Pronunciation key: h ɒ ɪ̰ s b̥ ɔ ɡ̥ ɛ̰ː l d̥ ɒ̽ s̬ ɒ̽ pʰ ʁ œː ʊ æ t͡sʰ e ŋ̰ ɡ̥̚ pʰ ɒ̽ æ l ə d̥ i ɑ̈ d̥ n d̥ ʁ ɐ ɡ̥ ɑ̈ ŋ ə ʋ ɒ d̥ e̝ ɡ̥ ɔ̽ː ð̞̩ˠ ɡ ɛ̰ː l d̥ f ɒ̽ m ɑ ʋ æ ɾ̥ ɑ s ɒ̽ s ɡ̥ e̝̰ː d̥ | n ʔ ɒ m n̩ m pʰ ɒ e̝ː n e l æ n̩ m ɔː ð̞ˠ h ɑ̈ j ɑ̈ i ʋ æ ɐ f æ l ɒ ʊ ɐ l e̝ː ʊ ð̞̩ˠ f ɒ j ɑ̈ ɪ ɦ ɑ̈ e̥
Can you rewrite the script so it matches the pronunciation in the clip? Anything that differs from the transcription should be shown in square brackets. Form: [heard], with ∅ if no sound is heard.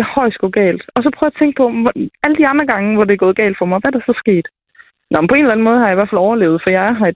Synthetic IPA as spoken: h ɒ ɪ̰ s [ɡ̥] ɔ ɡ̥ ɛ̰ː l d̥ ɒ̽ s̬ ɒ̽ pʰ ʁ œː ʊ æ t͡sʰ e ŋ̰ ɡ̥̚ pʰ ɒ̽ æ l ə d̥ i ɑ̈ [∅] n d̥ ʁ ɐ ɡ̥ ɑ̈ ŋ ə ʋ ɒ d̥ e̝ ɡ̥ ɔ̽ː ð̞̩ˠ ɡ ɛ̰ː l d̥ f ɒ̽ m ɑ ʋ æ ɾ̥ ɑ s ɒ̽ s ɡ̥ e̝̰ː d̥ | n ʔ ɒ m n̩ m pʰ ɒ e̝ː n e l æ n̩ m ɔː ð̞ˠ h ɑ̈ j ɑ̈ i ʋ æ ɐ f æ l ɒ ʊ ɐ l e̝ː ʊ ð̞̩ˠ f ɒ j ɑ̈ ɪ ɦ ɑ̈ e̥